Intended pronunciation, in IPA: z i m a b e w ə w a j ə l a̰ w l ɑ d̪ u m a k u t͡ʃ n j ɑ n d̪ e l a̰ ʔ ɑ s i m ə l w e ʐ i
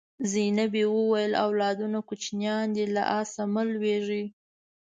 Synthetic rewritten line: z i n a b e w ə w a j ə l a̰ w l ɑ d̪ u n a k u t͡ʃ n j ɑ n d̪ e l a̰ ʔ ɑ s a m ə l w e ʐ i